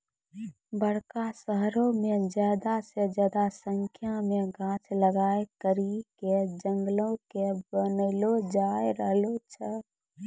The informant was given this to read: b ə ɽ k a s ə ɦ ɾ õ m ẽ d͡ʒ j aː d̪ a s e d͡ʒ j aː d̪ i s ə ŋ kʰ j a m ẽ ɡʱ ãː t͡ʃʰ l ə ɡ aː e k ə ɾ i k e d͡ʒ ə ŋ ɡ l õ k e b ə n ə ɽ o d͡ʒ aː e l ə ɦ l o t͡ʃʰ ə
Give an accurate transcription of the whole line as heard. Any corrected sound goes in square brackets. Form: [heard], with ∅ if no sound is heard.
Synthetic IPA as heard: b ə ɽ k a s ə ɦ ɾ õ m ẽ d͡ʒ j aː d̪ a s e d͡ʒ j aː d̪ [a] s ə ŋ kʰ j a m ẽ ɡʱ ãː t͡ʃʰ l ə ɡ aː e k ə ɾ i k e d͡ʒ ə ŋ ɡ l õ k e b ə n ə [l] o d͡ʒ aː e [ɾ] ə ɦ l o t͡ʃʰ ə